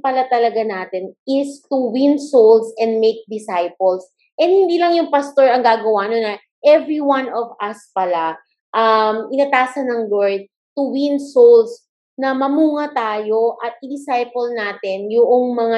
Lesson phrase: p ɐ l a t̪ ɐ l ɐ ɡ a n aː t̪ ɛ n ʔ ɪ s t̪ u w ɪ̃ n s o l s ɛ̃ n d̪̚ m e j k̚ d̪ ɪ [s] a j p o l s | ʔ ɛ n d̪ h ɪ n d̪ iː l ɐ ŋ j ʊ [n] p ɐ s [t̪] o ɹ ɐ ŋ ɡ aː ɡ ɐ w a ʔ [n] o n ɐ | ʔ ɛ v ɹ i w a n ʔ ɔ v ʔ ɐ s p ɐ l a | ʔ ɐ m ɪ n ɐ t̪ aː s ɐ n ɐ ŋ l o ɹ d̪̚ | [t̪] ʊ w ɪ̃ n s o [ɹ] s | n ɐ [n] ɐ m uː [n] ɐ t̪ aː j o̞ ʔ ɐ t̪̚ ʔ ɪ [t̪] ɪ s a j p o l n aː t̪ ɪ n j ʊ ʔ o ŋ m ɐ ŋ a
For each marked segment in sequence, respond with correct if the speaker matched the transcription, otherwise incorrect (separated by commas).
correct, incorrect, correct, correct, correct, incorrect, incorrect, incorrect, incorrect